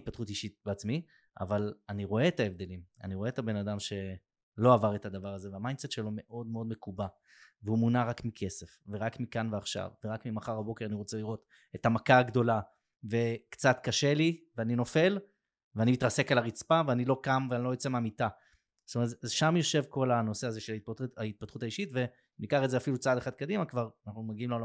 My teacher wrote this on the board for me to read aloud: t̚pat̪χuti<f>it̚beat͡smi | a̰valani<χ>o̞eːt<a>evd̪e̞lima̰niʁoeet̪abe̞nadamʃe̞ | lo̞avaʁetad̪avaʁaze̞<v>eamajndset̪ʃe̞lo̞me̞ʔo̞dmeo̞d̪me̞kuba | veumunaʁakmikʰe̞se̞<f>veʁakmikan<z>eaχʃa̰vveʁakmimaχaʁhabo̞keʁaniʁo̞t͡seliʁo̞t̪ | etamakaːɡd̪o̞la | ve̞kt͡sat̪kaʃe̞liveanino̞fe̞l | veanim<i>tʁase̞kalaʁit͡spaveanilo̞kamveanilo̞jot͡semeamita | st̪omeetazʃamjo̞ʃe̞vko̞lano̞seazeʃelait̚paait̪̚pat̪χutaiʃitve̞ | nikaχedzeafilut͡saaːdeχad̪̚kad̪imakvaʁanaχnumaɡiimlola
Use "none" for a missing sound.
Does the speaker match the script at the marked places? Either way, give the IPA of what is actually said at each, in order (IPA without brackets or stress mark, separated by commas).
ʃ, ʁ, a, v, f, v, i